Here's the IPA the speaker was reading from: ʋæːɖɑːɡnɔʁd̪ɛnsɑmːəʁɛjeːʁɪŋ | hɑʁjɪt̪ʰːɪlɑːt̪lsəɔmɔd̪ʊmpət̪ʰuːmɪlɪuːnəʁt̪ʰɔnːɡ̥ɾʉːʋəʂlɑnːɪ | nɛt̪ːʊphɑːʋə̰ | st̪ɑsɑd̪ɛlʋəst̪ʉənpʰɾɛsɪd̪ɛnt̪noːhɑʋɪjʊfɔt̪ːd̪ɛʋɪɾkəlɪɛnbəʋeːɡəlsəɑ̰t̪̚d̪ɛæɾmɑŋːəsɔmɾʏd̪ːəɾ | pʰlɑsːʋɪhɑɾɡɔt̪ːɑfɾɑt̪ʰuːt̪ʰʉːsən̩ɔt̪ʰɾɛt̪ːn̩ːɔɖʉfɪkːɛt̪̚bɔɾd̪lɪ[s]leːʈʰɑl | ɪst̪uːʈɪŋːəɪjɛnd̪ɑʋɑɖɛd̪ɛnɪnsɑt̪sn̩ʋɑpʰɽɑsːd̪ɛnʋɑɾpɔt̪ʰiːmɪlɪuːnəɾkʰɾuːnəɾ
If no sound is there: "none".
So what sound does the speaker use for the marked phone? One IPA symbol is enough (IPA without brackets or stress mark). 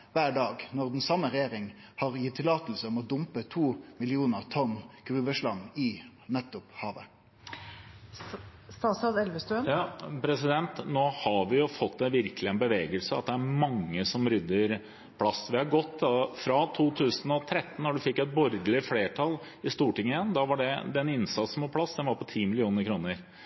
f